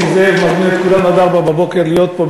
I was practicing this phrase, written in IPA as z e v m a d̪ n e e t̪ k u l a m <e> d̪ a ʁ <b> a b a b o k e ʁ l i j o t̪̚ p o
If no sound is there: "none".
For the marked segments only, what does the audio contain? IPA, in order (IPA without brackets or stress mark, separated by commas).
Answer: a, b